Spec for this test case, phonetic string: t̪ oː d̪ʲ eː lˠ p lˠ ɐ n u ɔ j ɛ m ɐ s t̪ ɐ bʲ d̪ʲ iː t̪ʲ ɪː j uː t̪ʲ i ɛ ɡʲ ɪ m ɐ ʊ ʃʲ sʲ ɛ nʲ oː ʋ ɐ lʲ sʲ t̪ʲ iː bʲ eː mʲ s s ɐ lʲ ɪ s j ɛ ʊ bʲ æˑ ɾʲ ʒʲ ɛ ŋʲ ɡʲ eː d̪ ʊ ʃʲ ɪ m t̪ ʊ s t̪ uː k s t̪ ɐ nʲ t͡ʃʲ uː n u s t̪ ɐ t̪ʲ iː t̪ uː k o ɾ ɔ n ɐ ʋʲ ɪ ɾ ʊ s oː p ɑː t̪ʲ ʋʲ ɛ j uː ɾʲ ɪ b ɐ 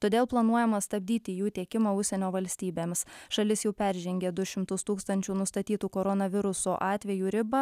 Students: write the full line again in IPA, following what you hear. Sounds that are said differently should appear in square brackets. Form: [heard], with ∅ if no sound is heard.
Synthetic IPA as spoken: t̪ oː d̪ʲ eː lˠ p lˠ ɐ n u ɔ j ɛ m ɐ s t̪ ɐ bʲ d̪ʲ iː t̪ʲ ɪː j uː t̪ʲ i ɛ [kʲ] ɪ m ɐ ʊ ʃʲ sʲ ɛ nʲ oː ʋ ɐ lʲ sʲ t̪ʲ iː bʲ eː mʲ s [ʃ] ɐ lʲ ɪ s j ɛ ʊ [pʲ] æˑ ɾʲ ʒʲ ɛ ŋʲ ɡʲ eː d̪ ʊ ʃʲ ɪ m t̪ ʊ s t̪ uː k s t̪ ɐ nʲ t͡ʃʲ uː n [ʊ] s t̪ ɐ t̪ʲ iː t̪ uː k o ɾ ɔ n ɐ ʋʲ ɪ ɾ ʊ s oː [ʔ] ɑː t̪ʲ ʋʲ ɛ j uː ɾʲ ɪ b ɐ

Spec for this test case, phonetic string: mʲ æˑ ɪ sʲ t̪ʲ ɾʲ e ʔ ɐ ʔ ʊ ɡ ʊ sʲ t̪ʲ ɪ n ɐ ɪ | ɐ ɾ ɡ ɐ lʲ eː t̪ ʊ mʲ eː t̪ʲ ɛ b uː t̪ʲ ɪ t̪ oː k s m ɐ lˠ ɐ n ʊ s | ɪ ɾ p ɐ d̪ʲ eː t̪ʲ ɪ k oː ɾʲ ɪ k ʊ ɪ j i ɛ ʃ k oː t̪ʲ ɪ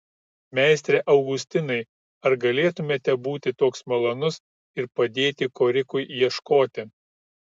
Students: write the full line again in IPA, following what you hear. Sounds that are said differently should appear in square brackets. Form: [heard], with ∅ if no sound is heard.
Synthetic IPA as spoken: mʲ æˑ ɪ sʲ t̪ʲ ɾʲ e ʔ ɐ [∅] ʊ ɡ ʊ sʲ t̪ʲ ɪ n ɐ ɪ | ɐ ɾ ɡ ɐ lʲ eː t̪ ʊ mʲ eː t̪ʲ ɛ b uː t̪ʲ ɪ t̪ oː k s m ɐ lˠ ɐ n ʊ s | ɪ ɾ p ɐ d̪ʲ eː t̪ʲ ɪ k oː ɾʲ ɪ k ʊ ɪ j i ɛ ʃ k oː t̪ʲ ɪ

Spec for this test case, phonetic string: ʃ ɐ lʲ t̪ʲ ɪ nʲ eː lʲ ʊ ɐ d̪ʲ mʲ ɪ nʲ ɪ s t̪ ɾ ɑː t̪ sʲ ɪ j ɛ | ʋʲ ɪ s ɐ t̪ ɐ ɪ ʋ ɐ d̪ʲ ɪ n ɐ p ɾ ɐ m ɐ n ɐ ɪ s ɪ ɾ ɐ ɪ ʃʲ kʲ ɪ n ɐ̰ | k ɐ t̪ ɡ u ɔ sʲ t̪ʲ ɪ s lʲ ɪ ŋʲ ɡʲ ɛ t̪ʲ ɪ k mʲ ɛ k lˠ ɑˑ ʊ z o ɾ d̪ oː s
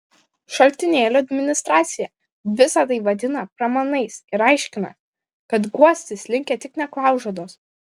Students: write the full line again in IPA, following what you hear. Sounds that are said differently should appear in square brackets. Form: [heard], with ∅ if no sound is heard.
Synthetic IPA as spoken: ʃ ɐ lʲ t̪ʲ ɪ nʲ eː lʲ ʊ ɐ d̪ʲ mʲ ɪ nʲ ɪ s t̪ ɾ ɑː t̪ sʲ ɪ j ɛ | ʋʲ ɪ s ɐ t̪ ɐ ɪ ʋ ɐ d̪ʲ ɪ n ɐ p ɾ ɐ m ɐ n ɐ ɪ s ɪ ɾ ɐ ɪ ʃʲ kʲ ɪ n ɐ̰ | k ɐ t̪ ɡ u ɔ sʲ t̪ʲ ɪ s lʲ ɪ ŋʲ [kʲ] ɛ t̪ʲ ɪ k [nʲ] ɛ k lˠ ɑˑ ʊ [ʒ] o [∅] d̪ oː s

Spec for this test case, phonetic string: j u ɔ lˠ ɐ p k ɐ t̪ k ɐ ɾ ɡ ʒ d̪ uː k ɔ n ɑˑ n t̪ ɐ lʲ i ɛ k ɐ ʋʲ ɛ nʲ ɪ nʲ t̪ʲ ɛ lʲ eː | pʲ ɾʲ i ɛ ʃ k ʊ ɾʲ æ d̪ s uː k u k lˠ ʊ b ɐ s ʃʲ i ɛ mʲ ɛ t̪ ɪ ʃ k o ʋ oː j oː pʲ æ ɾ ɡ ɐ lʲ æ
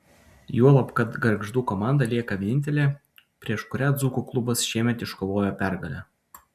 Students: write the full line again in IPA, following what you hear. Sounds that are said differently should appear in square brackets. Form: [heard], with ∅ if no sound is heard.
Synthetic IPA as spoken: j u ɔ lˠ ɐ p k ɐ t̪ [ɡ] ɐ ɾ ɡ ʒ d̪ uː k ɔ [m] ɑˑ n [d̪] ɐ lʲ i ɛ k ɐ ʋʲ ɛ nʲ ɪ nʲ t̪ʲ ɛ lʲ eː | pʲ ɾʲ i ɛ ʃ k ʊ ɾʲ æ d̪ [z] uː k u k lˠ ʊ b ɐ s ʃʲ i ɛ mʲ ɛ t̪ ɪ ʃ k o ʋ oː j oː pʲ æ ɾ ɡ ɐ lʲ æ

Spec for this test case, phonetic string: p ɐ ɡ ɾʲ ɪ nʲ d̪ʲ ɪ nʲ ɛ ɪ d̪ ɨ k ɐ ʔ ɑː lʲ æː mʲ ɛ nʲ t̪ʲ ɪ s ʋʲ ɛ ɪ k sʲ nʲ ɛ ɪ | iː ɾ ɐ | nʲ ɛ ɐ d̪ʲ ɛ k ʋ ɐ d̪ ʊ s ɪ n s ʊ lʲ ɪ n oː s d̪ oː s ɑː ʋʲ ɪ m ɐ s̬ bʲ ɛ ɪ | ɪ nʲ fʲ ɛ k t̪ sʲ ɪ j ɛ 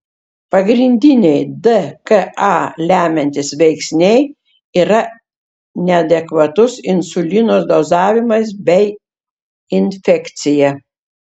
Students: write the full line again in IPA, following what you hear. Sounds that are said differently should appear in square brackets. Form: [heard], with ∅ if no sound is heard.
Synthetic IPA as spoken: p ɐ ɡ ɾʲ ɪ nʲ d̪ʲ ɪ nʲ ɛ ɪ d̪ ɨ k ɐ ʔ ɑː lʲ æː mʲ ɛ nʲ t̪ʲ ɪ s ʋʲ ɛ ɪ k sʲ nʲ ɛ ɪ | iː ɾ ɐ | nʲ ɛ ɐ d̪ʲ ɛ k ʋ ɐ [t̪] ʊ s ɪ n s ʊ lʲ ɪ n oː s d̪ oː [z] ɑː ʋʲ ɪ m ɐ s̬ bʲ ɛ ɪ | ɪ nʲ fʲ ɛ k t̪ sʲ ɪ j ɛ

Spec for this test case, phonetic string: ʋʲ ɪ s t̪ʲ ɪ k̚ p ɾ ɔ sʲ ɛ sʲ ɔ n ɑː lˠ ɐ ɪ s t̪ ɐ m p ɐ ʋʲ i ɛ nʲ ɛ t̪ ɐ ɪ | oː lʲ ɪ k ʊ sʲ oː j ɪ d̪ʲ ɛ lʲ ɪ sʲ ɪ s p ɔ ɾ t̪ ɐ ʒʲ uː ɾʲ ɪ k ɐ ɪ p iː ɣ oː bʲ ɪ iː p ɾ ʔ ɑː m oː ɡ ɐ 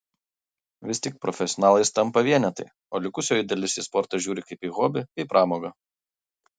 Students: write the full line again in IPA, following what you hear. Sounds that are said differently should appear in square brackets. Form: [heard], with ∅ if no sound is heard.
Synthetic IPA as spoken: ʋʲ ɪ s t̪ʲ ɪ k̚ p ɾ ɔ [fʲ] ɛ sʲ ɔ n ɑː lˠ ɐ ɪ s t̪ ɐ m p ɐ ʋʲ i ɛ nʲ ɛ t̪ ɐ ɪ | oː lʲ ɪ k ʊ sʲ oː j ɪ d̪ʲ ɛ lʲ ɪ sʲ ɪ s p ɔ ɾ t̪ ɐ ʒʲ uː ɾʲ ɪ k ɐ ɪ p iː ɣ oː bʲ ɪ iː p ɾ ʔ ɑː m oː ɡ ɐ

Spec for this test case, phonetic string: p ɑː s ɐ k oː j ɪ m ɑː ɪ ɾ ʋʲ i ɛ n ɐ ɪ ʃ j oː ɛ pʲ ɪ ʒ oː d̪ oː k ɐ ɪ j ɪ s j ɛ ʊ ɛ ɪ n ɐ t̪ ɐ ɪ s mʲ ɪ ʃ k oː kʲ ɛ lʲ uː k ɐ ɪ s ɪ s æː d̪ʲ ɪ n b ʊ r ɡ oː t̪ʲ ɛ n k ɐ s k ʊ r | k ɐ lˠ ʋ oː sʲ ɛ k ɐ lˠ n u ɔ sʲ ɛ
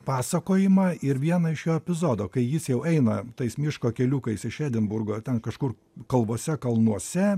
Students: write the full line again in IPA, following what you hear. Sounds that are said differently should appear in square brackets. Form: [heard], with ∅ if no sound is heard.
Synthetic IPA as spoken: p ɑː s ɐ k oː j ɪ m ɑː ɪ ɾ ʋʲ i ɛ n ɐ ɪ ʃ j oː ɛ pʲ ɪ [z] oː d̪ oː k ɐ ɪ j ɪ s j ɛ ʊ ɛ ɪ n ɐ t̪ ɐ ɪ s mʲ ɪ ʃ k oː kʲ ɛ lʲ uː k ɐ ɪ s ɪ [ʃ] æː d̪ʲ ɪ n b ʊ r ɡ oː t̪ʲ ɛ n k ɐ [ʃ] k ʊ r | k ɐ lˠ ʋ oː sʲ ɛ k ɐ lˠ n u ɔ sʲ ɛ

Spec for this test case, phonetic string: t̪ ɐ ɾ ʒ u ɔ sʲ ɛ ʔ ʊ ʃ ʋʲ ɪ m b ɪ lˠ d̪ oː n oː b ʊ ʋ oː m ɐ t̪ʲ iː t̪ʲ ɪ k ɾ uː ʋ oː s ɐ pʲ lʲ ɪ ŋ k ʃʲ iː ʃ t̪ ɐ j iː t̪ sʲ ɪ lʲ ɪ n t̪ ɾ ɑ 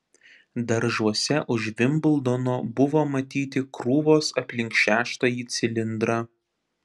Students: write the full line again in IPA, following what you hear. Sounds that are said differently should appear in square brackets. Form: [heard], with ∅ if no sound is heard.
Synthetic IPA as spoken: [d̪] ɐ ɾ ʒ u ɔ sʲ ɛ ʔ ʊ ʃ ʋʲ ɪ m b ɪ lˠ d̪ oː n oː b ʊ ʋ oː m ɐ t̪ʲ iː t̪ʲ ɪ k ɾ uː ʋ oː s ɐ pʲ lʲ ɪ ŋ k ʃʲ [æː] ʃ t̪ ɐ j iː t̪ sʲ ɪ lʲ ɪ n [d̪] ɾ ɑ

